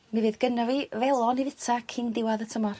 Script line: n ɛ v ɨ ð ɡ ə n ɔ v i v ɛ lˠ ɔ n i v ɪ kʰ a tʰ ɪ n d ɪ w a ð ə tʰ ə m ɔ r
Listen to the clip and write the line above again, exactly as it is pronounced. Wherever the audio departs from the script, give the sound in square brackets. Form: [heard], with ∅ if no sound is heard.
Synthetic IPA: n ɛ v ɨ ð ɡ ə n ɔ v i v ɛ lˠ ɔ n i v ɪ [tʰ] a [kʰ] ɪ n d ɪ w a ð ə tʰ ə m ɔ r